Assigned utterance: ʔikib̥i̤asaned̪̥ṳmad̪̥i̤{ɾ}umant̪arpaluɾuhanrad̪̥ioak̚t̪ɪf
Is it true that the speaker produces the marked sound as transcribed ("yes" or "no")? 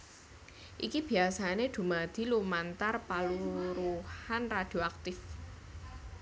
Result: no